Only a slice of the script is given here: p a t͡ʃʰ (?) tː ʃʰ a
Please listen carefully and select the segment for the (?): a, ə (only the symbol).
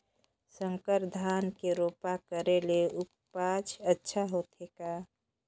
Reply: ə